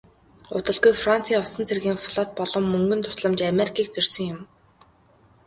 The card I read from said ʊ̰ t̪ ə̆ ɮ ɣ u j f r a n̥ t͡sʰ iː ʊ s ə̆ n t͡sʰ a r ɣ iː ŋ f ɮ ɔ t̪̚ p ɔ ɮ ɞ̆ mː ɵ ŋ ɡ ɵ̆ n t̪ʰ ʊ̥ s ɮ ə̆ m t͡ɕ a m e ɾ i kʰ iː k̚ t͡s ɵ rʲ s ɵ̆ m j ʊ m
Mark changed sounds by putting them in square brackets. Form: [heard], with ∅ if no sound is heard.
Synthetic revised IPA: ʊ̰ t̪ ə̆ ɮ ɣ u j f r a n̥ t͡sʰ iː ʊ s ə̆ n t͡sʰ [e] r ɣ iː ŋ f ɮ ɔ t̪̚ p ɔ ɮ ɞ̆ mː ɵ ŋ ɡ ɵ̆ n t̪ʰ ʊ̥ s ɮ ə̆ m t͡ɕ a m e ɾ i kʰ iː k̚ t͡s ɵ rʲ s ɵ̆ [ŋ] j ʊ m